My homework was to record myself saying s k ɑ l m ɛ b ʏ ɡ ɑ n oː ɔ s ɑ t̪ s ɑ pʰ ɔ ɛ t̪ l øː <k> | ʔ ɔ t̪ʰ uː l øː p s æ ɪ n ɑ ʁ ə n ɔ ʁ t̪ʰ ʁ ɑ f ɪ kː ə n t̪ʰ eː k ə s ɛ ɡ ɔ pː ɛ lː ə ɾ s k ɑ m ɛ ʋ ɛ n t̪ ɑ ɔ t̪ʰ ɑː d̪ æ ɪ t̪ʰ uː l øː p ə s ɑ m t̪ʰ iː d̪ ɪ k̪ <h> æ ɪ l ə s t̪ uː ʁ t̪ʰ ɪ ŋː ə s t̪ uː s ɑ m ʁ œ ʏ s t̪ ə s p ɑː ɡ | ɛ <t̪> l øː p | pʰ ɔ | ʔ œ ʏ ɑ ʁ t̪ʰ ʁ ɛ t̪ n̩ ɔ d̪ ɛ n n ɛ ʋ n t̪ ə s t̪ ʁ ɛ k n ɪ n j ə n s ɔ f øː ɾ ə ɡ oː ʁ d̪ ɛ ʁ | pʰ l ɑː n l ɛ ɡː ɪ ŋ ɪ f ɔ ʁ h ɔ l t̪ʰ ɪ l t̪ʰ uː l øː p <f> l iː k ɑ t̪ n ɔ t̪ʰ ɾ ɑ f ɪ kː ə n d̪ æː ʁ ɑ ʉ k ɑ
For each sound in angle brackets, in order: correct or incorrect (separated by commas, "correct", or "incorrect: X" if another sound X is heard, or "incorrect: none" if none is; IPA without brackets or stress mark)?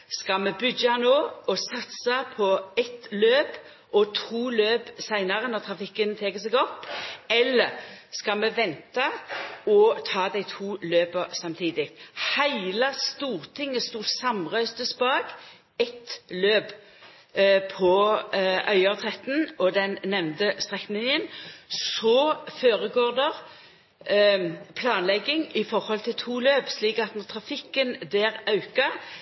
incorrect: p, correct, correct, incorrect: s